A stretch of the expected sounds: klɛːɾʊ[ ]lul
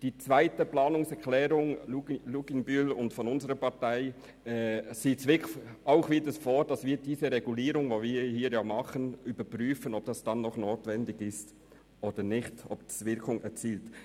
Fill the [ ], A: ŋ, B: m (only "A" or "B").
A